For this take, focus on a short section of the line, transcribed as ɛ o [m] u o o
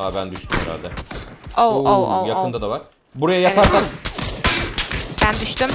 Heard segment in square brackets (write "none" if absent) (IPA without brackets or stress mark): none